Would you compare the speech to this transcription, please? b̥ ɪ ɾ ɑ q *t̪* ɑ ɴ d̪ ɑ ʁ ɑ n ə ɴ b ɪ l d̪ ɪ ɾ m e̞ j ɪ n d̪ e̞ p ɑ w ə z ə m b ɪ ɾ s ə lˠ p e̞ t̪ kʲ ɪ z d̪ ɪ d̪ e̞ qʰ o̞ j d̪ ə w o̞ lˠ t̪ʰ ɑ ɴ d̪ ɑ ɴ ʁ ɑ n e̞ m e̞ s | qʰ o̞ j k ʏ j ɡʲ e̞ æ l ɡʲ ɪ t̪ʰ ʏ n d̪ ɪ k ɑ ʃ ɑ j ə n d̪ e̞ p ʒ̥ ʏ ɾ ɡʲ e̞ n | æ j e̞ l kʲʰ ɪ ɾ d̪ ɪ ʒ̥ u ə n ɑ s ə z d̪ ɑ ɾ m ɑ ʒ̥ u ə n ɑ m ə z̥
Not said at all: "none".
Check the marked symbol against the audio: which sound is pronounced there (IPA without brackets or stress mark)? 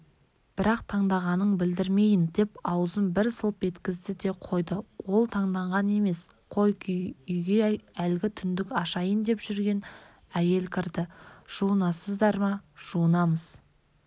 t̪ʰ